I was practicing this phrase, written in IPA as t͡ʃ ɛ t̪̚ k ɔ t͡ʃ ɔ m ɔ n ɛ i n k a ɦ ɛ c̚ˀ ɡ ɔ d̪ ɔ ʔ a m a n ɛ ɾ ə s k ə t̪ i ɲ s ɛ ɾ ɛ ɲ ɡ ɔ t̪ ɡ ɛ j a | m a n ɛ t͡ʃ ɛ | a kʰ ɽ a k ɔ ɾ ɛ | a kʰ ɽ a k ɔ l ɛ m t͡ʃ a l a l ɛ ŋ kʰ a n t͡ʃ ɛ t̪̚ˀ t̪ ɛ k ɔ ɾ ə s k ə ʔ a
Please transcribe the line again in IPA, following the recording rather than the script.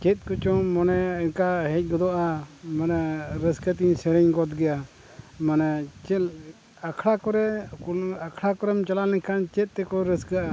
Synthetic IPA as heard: t͡ʃ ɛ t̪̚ k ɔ t͡ʃ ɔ m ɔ n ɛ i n k a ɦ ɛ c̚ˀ ɡ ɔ d̪ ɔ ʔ a m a n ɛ ɾ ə s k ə t̪ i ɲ s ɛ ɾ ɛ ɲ ɡ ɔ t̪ ɡ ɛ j a | m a n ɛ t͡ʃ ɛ | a kʰ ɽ a k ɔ ɾ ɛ | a kʰ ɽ a k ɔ ɾ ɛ m t͡ʃ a l a l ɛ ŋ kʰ a n t͡ʃ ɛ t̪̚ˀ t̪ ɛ k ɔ ɾ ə s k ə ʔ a